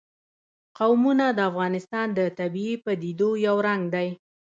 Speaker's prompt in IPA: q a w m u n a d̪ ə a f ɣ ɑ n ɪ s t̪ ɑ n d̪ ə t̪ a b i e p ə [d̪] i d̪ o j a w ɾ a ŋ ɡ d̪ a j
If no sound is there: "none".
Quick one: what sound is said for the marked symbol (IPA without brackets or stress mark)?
d̪